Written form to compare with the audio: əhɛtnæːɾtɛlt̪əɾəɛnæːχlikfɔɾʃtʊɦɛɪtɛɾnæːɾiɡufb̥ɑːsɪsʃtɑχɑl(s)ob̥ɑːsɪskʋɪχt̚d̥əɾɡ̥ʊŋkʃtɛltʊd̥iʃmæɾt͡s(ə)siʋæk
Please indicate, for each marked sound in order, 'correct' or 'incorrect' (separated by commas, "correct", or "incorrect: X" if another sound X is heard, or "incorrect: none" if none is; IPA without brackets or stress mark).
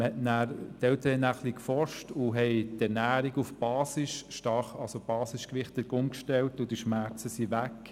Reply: correct, correct